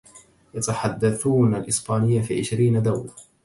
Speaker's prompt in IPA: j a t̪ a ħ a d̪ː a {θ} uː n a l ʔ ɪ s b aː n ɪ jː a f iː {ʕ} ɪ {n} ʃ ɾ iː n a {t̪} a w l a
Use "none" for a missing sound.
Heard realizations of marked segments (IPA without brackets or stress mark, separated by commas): θ, ʕ, none, d̪